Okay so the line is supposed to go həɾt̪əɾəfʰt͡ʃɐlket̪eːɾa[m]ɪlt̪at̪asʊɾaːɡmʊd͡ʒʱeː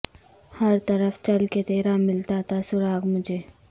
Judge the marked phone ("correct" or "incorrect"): correct